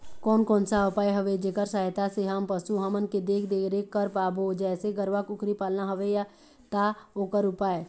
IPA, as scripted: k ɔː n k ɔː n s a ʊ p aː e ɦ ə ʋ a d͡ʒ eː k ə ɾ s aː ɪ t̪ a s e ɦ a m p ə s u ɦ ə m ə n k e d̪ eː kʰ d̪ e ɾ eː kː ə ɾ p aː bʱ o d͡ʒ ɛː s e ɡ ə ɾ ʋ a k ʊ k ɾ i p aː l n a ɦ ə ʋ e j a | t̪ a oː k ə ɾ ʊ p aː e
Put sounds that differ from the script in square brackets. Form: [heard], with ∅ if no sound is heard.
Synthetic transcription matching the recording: k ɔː n k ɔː n s a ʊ p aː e ɦ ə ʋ [e] d͡ʒ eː k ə ɾ s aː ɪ t̪ a s e ɦ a m p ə s u ɦ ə m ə n k e d̪ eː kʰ d̪ e ɾ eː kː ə ɾ p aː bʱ o d͡ʒ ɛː s e ɡ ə ɾ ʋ a k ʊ k ɾ i p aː l n a ɦ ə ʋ e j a | t̪ a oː k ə ɾ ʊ p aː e